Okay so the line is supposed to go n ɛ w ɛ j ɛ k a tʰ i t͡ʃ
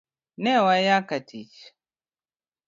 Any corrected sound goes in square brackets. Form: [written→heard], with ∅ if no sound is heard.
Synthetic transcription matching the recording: n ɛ w [ɛ→a] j [ɛ→a] k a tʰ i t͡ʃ